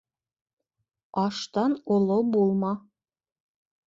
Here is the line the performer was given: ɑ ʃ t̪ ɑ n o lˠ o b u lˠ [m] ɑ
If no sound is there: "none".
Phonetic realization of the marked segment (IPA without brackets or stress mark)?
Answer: m